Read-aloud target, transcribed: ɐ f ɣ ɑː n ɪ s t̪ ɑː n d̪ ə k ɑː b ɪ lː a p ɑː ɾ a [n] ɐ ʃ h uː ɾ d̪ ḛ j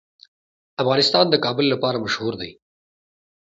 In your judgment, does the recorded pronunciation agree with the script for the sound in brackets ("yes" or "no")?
no